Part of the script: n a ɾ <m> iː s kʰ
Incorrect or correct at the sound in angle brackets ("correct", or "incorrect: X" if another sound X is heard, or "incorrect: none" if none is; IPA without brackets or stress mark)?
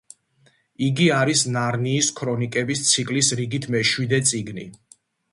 incorrect: n